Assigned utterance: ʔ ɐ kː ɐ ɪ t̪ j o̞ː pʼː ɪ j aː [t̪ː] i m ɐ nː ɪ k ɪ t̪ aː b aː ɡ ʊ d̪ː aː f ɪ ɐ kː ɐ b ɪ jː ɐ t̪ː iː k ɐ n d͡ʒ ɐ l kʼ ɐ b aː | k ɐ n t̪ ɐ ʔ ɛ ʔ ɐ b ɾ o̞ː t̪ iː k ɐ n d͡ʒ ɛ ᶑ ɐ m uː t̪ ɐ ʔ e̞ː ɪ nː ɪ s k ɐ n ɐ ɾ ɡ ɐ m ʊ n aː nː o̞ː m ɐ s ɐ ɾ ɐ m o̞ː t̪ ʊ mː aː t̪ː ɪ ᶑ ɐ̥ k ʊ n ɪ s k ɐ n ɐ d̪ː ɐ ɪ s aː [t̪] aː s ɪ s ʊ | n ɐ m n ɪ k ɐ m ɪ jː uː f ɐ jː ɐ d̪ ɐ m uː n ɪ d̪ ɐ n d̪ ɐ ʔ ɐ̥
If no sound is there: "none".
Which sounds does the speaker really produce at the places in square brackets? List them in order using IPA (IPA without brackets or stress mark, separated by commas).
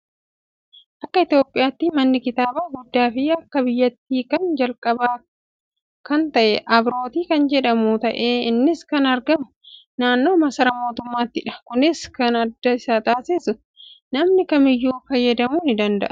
t̪ː, t̪